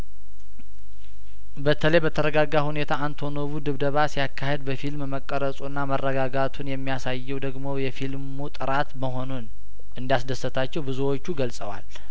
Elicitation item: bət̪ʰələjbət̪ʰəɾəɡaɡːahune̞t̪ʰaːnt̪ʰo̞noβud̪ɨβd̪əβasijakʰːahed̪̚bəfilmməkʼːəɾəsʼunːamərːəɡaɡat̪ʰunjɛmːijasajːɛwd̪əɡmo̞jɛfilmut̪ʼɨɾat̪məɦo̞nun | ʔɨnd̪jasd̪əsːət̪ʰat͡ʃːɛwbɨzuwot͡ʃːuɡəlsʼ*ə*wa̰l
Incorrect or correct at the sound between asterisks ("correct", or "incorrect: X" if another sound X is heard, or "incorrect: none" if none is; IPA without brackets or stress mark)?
correct